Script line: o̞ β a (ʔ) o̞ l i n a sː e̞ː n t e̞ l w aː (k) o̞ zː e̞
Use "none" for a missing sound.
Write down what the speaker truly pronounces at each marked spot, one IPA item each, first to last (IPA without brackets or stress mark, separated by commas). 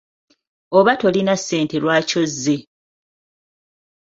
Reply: t, c